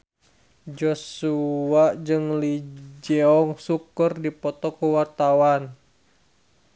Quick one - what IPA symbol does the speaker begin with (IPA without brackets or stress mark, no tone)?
d͡ʒ